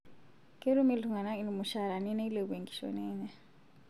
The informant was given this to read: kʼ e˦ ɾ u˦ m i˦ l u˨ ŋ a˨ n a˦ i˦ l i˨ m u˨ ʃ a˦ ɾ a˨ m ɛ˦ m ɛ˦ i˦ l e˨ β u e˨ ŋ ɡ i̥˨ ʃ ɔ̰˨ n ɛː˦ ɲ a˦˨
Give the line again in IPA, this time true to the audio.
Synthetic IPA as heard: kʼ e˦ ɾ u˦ m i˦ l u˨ ŋ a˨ n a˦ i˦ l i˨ m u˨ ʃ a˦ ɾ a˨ n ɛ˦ n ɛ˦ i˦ l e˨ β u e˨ ŋ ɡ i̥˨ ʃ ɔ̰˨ n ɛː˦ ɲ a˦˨